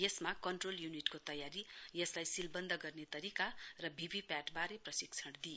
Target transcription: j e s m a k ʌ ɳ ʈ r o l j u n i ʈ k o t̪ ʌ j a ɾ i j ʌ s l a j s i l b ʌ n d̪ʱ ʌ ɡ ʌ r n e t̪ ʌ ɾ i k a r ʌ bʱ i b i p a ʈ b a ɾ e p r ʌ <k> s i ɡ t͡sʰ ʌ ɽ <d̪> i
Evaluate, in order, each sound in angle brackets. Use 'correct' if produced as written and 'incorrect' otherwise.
incorrect: none, correct

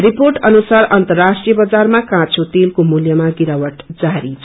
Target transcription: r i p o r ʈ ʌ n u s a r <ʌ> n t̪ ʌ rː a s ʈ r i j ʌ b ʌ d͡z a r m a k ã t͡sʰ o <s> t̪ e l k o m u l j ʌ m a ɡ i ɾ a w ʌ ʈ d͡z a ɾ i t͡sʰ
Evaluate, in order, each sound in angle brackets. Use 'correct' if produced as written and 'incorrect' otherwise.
correct, incorrect: none

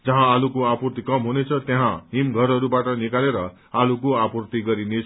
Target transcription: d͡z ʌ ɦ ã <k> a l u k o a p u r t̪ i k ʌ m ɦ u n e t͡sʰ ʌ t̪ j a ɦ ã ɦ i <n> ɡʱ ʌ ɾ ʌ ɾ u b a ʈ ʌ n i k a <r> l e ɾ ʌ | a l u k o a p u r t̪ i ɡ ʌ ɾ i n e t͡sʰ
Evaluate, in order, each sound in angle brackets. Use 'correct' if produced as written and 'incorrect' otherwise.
incorrect: none, incorrect: m, incorrect: none

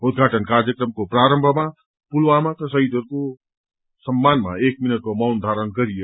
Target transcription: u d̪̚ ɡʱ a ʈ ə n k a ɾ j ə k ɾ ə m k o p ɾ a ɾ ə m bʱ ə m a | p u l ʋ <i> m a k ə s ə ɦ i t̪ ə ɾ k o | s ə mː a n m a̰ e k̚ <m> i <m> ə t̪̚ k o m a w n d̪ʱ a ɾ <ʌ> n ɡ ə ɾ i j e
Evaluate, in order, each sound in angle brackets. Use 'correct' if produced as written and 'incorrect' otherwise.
incorrect: a, correct, incorrect: n, incorrect: ə

